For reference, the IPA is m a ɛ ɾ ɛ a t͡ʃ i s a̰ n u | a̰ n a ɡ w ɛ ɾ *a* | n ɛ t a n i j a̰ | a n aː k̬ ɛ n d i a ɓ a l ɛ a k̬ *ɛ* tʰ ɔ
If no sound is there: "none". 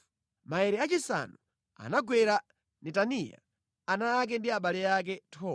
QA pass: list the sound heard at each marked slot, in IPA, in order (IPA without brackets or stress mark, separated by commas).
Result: a, ɛ